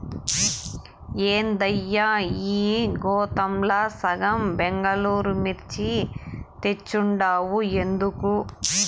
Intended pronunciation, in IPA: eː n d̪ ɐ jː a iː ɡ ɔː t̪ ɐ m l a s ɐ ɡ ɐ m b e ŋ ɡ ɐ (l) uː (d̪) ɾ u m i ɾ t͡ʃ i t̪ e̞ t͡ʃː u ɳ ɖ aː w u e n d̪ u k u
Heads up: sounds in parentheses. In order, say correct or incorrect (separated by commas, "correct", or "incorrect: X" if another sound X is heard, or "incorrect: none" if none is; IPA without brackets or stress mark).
correct, incorrect: none